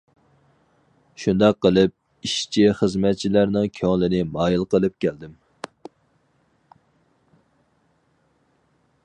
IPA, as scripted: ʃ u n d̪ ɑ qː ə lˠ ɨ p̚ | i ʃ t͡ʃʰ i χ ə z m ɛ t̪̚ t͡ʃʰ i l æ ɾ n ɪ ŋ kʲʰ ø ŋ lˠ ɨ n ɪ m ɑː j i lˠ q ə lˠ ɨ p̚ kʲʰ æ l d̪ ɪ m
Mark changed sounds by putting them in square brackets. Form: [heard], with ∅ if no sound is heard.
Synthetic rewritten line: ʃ u n d̪ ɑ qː ə lˠ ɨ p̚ | i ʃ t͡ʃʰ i χ ə z m ɛ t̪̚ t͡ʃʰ i l æ ɾ n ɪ ŋ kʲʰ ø ŋ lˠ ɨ n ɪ m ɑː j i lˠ q ə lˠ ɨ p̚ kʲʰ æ l d̪ ɪ m